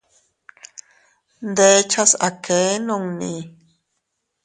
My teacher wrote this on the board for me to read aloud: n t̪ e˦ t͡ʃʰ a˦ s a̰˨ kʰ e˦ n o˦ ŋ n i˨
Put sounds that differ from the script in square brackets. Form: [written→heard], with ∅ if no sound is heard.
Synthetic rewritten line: n [t̪→d̪] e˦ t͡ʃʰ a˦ s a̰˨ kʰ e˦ n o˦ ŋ n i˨